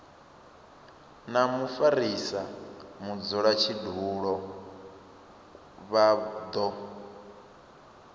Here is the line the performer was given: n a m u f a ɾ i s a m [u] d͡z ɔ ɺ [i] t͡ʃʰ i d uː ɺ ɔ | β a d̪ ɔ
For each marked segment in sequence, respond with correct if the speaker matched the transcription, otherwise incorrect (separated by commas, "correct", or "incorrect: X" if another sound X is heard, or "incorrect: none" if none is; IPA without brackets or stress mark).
correct, incorrect: a